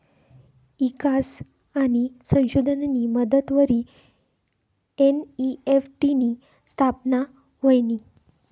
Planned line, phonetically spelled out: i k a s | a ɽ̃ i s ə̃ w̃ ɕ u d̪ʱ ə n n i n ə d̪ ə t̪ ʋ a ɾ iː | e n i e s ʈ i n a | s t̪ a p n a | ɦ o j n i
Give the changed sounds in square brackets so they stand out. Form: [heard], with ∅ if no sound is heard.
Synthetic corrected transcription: i k a s | a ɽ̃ i s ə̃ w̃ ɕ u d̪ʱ ə n n i [m] ə d̪ ə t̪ ʋ [ə] ɾ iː | e n i e [f] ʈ i n [i] | s [t̪ʰ] a p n a | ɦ o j n i